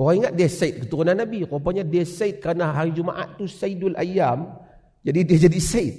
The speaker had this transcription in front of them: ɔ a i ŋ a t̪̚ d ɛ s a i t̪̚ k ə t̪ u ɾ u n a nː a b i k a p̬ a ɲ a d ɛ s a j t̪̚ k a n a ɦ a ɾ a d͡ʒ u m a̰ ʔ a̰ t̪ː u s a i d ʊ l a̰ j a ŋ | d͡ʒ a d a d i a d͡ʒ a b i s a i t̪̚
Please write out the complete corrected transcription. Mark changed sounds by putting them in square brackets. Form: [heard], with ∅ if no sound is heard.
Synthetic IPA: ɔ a i ŋ a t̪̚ d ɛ s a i t̪̚ k ə t̪ u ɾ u n a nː a b i k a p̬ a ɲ a d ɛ s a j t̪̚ k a n a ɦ a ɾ [i] d͡ʒ u m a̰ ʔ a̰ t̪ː u s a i d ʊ l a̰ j a [m] | d͡ʒ a d [i] d i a d͡ʒ a [d] i s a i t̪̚